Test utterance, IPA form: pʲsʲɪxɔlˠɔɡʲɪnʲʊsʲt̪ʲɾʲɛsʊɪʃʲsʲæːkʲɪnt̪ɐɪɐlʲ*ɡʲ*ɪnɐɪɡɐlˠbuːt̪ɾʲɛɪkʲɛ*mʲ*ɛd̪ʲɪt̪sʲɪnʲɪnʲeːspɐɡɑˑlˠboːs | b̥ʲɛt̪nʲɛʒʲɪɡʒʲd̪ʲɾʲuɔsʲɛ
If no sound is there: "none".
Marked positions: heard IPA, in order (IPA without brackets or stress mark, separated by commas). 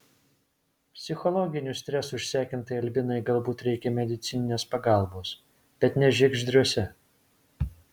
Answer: bʲ, mʲ